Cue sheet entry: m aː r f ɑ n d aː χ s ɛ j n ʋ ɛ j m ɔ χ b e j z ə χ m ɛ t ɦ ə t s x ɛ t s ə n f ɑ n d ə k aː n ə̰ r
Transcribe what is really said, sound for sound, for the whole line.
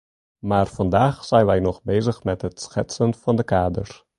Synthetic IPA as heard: m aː r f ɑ n d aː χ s ɛ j n ʋ ɛ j n ɔ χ b e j z ə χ m ɛ t ɦ ə t s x ɛ t s ə n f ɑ n d ə k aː d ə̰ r